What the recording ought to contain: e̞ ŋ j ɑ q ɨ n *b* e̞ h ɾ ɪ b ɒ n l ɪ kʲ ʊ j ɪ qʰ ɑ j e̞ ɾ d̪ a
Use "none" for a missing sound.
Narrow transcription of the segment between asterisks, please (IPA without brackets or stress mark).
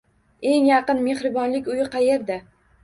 m